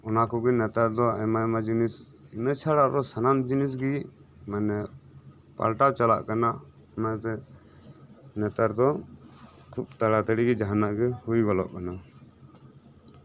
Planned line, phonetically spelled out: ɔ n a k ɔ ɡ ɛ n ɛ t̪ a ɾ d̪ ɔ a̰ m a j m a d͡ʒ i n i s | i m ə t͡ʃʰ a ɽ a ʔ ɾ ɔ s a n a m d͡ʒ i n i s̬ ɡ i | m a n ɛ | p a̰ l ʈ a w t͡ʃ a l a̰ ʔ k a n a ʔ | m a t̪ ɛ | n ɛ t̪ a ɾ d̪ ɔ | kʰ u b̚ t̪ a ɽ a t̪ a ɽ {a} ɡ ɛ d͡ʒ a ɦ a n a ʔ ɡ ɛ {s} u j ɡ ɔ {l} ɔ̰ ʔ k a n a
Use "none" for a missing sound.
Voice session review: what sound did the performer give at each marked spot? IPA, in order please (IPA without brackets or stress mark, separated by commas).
i, h, l